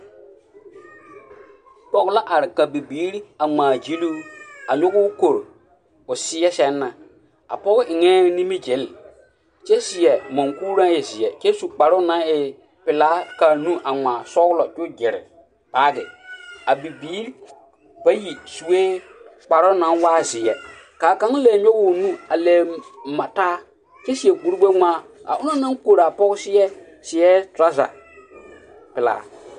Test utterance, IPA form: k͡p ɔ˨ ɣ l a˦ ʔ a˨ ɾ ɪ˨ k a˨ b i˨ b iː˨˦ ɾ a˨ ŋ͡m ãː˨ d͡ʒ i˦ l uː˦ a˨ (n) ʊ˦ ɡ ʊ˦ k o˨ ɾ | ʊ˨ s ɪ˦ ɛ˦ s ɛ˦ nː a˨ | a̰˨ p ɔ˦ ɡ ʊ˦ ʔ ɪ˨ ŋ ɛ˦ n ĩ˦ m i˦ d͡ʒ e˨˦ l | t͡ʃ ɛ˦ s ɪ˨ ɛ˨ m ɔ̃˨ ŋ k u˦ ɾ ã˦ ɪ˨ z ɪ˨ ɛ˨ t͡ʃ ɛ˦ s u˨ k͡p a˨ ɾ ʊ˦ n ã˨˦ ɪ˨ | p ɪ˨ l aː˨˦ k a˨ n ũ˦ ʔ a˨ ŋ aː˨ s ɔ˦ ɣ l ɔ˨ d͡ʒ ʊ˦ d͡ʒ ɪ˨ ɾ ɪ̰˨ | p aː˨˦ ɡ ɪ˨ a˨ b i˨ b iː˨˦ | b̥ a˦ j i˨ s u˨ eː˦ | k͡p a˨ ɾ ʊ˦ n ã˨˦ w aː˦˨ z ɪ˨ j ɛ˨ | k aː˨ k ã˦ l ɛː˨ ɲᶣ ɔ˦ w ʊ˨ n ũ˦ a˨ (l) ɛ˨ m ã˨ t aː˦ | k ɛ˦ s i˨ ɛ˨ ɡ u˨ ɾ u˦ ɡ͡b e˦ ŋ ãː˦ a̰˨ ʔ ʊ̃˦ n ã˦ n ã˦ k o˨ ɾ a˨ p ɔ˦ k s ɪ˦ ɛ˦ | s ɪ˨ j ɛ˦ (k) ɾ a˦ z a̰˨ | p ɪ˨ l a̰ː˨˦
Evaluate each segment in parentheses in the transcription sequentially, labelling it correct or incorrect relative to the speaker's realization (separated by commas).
incorrect, correct, incorrect